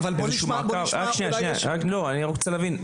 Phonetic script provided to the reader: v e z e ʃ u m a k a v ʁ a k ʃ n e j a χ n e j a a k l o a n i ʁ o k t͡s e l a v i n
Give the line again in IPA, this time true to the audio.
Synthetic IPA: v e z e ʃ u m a k a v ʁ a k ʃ n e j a ʃ n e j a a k l o a n i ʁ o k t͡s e l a v i n

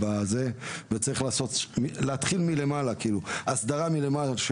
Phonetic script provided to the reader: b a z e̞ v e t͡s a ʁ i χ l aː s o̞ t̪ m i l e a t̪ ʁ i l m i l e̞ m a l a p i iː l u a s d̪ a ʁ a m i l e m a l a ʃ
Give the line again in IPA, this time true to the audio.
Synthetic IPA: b a z e̞ v e t͡s a ʁ i χ l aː s o̞ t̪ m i l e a t̪ χ i l m i l e̞ m a l a k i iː l u a s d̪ a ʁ a m i l e m a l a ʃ

